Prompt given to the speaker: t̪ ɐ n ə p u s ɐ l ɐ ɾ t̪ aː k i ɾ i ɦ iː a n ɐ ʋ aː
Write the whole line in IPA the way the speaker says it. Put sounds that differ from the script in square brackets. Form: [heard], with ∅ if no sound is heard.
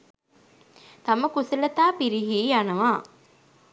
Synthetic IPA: t̪ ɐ [m] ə [k] u s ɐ l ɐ [∅] t̪ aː [p] i ɾ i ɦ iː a n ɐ ʋ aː